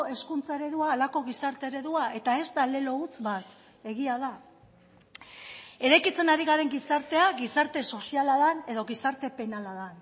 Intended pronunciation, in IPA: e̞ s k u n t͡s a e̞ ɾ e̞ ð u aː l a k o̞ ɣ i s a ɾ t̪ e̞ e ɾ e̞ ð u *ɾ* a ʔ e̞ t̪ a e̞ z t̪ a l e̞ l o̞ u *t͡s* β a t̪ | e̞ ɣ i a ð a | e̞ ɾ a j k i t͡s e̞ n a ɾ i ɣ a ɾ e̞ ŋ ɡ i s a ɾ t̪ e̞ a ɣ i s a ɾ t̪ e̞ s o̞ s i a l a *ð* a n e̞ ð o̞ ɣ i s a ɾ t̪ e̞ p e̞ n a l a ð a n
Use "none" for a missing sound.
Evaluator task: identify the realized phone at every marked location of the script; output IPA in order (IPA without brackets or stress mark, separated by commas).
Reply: none, t͡s, ð